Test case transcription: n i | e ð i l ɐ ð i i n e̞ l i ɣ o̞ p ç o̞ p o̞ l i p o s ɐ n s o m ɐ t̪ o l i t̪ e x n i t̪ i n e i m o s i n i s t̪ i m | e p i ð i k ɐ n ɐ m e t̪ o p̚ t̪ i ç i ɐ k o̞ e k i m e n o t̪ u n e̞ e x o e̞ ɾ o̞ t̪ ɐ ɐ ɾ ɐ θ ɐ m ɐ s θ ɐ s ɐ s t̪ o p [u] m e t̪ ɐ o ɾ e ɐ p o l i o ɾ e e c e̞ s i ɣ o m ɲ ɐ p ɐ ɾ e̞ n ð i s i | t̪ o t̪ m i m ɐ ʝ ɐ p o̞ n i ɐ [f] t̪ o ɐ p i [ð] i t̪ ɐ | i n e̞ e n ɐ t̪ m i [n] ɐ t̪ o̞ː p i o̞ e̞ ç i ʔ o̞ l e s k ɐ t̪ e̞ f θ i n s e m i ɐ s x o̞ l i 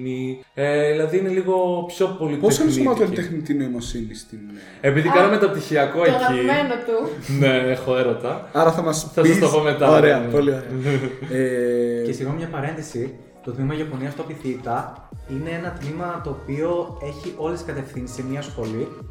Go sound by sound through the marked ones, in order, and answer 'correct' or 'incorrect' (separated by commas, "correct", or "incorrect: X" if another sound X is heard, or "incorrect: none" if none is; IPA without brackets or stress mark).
incorrect: o, incorrect: s, incorrect: θ, incorrect: m